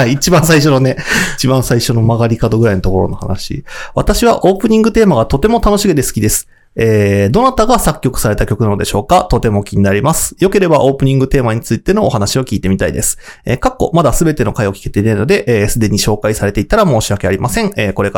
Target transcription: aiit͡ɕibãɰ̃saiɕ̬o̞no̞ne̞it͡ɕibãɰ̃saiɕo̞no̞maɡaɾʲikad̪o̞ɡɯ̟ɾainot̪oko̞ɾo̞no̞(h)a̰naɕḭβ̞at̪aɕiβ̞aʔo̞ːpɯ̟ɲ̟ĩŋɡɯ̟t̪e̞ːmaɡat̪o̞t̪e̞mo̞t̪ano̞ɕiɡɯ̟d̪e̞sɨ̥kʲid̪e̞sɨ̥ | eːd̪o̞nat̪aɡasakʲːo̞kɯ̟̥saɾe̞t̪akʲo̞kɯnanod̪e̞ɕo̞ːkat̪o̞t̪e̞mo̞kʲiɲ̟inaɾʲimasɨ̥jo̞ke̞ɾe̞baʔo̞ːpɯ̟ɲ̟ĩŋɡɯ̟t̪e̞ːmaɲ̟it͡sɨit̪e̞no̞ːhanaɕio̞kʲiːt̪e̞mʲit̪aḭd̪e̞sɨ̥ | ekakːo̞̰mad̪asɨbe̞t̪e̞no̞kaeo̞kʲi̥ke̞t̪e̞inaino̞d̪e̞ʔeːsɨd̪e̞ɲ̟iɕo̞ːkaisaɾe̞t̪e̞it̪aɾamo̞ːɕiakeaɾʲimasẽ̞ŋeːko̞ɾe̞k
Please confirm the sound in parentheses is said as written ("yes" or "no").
yes